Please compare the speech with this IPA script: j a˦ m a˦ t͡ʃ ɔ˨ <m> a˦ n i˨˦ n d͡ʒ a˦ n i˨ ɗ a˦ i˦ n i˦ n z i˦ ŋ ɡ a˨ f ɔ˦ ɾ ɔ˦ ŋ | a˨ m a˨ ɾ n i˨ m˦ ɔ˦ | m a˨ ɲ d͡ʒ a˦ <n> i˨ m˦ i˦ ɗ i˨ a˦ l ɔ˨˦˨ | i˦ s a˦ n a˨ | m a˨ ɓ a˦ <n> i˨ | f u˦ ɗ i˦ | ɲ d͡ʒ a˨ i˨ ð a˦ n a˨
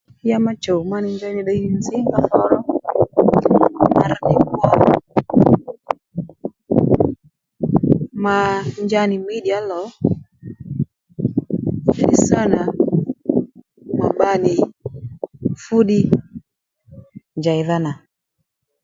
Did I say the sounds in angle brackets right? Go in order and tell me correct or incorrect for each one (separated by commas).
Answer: correct, correct, correct